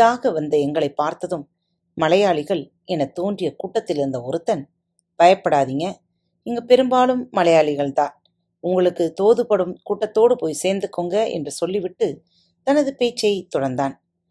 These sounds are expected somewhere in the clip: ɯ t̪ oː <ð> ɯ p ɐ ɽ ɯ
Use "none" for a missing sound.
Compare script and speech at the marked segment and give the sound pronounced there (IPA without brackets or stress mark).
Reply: ð